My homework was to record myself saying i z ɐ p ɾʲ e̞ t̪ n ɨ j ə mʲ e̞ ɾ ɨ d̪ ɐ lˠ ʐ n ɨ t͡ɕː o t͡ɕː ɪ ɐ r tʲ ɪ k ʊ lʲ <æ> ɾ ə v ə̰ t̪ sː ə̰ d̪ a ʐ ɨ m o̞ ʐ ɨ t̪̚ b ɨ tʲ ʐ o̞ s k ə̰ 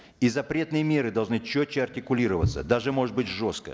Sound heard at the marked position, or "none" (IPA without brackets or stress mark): i